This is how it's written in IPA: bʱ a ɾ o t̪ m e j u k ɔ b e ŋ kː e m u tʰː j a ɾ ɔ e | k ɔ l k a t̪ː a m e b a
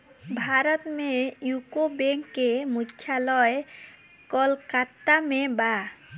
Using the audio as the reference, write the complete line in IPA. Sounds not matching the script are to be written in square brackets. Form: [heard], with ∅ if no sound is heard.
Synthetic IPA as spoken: bʱ a ɾ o t̪ m e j u k [o] b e ŋ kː e m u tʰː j a [l] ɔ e | k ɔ l k a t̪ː a m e b a